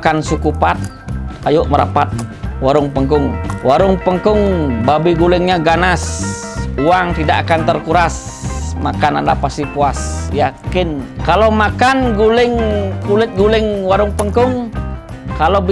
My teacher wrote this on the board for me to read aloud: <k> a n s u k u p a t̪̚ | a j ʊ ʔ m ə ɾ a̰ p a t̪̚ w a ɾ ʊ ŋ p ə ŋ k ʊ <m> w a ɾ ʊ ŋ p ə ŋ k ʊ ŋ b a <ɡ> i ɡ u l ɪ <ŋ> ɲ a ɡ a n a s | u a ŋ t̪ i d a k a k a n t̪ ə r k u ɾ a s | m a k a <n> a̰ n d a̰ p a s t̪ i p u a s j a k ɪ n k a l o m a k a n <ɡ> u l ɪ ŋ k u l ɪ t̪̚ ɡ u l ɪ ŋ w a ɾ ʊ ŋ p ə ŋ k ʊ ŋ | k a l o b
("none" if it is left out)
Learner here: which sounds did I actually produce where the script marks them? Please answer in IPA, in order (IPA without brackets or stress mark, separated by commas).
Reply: k, ŋ, b, ŋ, n, ɡ